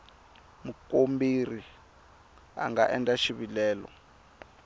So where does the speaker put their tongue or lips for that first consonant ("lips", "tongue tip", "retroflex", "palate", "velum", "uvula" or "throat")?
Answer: lips